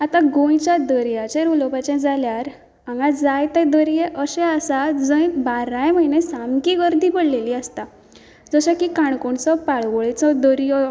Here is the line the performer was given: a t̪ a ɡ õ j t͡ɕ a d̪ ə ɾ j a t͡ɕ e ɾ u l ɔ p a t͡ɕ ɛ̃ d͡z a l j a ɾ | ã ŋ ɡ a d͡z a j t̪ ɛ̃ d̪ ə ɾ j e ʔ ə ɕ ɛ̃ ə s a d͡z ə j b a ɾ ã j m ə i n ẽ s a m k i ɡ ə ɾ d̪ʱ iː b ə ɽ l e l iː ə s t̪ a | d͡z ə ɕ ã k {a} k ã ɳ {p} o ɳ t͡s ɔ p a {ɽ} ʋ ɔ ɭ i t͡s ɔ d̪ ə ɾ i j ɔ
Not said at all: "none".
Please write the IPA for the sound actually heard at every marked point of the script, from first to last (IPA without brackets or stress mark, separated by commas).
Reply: i, k, ɭ